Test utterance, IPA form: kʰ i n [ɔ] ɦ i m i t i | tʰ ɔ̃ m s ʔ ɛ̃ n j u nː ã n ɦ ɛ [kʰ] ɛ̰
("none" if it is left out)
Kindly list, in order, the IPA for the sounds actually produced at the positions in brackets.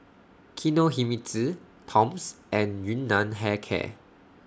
o, kʰ

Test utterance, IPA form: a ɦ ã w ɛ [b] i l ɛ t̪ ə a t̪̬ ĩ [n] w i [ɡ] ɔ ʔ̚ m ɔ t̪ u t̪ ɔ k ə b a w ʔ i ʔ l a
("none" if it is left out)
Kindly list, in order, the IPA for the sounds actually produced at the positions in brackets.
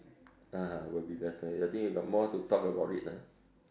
b, ŋ, ɡ

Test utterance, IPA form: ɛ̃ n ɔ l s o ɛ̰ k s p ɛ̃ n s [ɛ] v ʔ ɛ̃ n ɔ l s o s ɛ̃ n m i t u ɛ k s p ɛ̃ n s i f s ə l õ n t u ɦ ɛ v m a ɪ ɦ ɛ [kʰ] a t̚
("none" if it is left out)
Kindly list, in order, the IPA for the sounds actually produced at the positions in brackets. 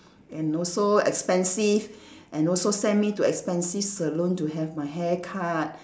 i, kʰ

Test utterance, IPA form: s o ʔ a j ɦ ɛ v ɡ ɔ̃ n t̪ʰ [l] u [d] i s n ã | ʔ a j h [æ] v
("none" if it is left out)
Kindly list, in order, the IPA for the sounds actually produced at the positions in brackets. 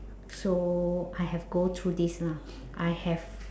ɹ, d, ɛ

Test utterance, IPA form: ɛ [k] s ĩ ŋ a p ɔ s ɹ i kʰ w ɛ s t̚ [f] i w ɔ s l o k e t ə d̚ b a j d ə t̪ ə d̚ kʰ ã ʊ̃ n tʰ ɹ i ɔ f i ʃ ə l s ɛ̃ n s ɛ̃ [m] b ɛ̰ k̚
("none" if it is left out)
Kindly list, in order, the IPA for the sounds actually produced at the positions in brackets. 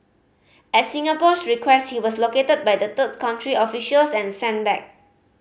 t, h, n

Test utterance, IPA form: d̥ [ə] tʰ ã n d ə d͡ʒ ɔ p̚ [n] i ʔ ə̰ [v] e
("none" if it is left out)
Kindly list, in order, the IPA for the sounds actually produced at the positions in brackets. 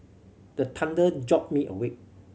ə, m, w

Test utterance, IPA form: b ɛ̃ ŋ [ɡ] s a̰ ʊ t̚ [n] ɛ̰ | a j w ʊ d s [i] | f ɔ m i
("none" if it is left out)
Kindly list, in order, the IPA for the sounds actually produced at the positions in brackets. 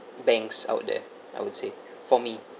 k, d, e

